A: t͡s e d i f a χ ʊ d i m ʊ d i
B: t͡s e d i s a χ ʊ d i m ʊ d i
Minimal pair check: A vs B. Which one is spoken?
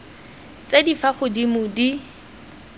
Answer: A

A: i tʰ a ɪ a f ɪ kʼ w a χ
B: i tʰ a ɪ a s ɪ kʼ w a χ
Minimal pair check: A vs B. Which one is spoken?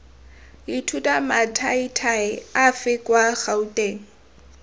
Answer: A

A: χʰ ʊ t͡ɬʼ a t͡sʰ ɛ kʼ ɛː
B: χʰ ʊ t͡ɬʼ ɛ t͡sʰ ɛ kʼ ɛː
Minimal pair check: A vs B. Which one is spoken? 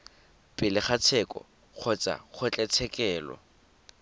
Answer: B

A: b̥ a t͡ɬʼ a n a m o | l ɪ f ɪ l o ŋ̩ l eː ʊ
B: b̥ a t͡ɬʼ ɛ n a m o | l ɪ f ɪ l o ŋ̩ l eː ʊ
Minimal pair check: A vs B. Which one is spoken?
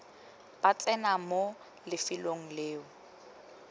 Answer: B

